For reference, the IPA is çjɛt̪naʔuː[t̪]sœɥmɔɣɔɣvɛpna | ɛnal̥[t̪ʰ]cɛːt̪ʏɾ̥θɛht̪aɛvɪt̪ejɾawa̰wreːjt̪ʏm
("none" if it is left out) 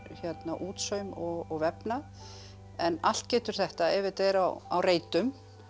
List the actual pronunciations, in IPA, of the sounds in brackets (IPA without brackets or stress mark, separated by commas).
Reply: t̪, t̪